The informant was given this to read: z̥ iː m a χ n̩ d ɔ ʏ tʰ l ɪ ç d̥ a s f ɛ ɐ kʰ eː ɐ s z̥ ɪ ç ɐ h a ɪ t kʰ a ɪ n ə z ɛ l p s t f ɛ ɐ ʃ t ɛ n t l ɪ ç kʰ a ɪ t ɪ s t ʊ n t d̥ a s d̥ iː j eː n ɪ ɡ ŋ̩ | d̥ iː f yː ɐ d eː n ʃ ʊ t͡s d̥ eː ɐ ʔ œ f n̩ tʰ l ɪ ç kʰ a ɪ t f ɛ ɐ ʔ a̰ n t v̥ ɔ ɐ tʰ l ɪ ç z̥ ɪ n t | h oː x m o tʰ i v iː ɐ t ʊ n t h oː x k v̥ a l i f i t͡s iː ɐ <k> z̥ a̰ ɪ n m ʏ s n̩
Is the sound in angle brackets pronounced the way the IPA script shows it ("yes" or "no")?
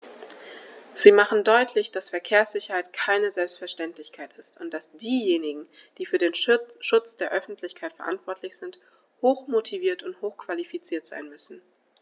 no